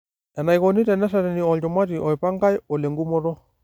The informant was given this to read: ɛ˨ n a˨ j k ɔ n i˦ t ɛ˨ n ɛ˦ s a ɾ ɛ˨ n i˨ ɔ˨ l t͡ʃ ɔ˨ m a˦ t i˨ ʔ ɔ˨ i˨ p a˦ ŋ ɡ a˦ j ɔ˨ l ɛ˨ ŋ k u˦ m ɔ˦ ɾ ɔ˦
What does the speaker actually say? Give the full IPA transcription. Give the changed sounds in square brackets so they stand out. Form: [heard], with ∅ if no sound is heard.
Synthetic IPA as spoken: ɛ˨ n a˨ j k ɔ n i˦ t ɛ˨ n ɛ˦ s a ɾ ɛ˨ n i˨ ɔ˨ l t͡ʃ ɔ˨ m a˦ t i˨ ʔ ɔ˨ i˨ p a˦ ŋ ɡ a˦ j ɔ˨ l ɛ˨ ŋ [ɡ] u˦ m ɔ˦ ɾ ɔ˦